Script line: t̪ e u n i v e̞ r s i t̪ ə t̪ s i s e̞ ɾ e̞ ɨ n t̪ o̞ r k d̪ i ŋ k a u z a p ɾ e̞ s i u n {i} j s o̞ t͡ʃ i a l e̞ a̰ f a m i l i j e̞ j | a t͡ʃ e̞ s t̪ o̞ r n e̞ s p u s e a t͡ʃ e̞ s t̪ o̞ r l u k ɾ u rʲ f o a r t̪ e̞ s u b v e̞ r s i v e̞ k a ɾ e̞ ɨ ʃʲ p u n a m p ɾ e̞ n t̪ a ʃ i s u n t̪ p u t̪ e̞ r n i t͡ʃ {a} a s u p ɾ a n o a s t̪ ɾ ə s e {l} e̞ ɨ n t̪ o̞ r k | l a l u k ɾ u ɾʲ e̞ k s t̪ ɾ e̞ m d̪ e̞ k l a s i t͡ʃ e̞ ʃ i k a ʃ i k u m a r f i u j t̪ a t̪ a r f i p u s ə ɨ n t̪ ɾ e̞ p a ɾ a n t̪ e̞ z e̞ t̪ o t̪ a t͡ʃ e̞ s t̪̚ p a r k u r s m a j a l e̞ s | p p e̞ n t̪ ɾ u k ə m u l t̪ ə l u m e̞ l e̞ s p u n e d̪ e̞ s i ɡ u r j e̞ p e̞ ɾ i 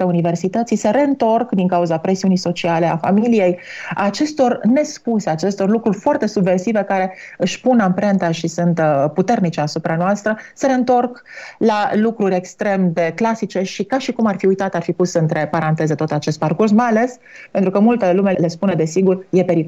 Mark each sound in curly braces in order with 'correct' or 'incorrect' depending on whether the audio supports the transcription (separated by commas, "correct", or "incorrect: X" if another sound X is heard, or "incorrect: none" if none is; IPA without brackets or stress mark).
correct, incorrect: e, incorrect: ɾ